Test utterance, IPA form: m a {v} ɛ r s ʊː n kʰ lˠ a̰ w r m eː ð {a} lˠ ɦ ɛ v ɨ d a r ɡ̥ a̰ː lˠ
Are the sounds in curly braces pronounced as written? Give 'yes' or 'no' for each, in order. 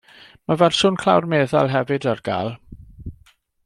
yes, yes

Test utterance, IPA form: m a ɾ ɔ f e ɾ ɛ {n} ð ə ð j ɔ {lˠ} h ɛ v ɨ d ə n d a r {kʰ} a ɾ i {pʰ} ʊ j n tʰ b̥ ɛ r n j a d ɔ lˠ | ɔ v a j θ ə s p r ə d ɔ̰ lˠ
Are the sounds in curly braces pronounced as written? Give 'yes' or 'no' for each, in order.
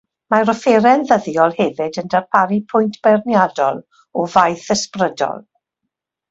yes, yes, no, yes

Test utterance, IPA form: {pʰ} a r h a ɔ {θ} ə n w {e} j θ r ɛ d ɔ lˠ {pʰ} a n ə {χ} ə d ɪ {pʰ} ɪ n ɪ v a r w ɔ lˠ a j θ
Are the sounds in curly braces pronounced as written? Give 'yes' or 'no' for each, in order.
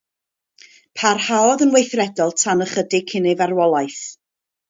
yes, no, yes, no, yes, no

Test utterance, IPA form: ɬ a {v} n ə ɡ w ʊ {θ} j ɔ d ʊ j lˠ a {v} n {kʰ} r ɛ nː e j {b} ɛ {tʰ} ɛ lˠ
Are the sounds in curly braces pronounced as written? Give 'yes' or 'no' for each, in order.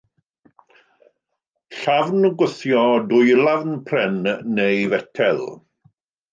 yes, yes, yes, no, no, yes

